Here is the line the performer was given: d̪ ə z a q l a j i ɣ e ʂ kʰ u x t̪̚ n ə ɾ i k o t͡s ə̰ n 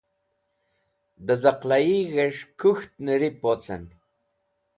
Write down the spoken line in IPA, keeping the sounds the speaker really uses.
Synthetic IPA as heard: d̪ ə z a q l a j i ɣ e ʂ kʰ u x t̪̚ n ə ɾ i p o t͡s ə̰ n

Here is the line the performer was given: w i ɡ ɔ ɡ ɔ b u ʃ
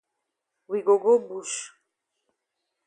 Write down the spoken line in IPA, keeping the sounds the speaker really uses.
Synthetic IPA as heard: w i ɡ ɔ ɡ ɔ b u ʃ

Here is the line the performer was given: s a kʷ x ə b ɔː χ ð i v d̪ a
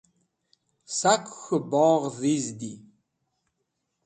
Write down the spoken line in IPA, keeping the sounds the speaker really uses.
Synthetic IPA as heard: s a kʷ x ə b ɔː ʁ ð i z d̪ i

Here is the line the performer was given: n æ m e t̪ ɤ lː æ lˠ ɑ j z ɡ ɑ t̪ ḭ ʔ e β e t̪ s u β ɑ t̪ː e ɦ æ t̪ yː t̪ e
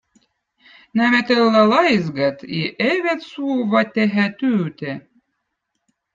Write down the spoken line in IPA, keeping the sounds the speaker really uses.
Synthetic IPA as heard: n æ m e t̪ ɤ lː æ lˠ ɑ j z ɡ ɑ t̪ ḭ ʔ e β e t̪ s u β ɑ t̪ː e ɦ æ t̪ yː t̪ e

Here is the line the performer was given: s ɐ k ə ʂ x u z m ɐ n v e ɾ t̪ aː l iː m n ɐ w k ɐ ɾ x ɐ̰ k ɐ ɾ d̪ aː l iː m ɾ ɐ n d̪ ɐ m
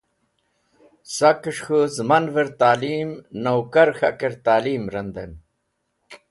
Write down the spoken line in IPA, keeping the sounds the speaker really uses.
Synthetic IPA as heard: s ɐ k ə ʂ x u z m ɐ n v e ɾ t̪ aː l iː m n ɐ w k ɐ ɾ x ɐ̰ k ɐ ɾ t̪ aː l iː m ɾ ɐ n d̪ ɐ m

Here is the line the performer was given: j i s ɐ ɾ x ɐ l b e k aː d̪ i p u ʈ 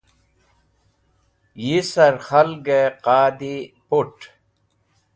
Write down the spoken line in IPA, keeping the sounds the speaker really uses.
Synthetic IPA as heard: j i s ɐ ɾ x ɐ l ɡ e q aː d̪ i p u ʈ

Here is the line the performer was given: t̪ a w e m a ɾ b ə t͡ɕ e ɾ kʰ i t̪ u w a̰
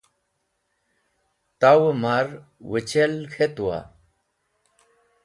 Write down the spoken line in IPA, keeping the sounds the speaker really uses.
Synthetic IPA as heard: t̪ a w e m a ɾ w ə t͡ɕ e l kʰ e t̪ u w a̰

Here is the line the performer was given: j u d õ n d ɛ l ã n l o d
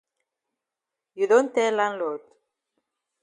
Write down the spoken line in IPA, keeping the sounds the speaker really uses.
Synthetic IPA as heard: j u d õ n t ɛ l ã n l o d

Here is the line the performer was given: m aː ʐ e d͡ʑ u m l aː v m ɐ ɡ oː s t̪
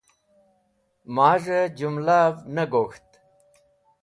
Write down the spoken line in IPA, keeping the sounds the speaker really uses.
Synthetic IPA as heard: m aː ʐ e d͡ʑ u m l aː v n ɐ ɡ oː x t̪

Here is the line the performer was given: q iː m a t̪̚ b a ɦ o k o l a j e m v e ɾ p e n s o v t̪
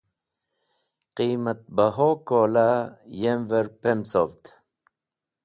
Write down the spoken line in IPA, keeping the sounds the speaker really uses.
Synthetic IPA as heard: q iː m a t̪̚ b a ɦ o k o l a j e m v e ɾ p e m s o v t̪

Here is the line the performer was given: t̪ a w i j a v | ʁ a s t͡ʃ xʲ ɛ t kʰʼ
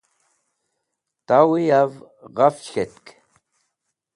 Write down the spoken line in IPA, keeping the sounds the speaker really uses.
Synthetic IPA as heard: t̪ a w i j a v | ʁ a f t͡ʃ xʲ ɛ t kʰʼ

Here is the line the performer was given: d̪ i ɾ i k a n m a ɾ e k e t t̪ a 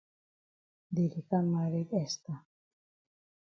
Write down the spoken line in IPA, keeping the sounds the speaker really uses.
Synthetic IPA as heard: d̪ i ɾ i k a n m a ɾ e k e s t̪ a

